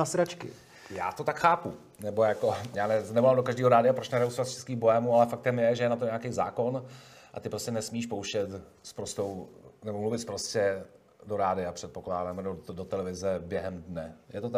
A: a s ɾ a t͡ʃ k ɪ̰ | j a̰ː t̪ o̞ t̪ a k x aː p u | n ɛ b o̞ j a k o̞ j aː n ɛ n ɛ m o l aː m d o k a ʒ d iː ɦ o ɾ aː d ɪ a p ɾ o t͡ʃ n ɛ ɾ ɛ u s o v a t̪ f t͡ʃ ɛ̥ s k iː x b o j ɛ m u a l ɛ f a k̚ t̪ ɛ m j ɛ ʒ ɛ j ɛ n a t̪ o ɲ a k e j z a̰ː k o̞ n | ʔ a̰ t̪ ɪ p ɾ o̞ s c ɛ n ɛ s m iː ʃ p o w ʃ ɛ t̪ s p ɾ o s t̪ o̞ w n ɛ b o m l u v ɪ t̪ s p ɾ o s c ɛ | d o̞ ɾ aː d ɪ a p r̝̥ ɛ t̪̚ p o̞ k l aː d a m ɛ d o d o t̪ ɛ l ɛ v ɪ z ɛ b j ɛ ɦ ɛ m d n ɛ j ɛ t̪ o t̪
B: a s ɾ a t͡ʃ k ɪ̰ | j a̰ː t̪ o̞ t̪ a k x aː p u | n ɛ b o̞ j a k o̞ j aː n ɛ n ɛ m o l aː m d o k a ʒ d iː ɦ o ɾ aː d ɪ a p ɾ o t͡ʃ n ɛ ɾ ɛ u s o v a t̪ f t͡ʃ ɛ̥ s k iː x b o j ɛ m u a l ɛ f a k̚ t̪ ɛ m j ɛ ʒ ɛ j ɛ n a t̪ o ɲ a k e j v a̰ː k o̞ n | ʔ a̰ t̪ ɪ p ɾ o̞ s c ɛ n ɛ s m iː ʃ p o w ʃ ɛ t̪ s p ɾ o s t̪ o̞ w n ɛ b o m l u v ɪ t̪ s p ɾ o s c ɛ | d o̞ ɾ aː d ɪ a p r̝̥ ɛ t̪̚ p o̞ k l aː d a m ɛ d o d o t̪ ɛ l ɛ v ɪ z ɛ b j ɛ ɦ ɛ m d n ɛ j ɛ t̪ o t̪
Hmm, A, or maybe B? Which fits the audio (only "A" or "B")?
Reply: A